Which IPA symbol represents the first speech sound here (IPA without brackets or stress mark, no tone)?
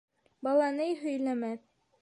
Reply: b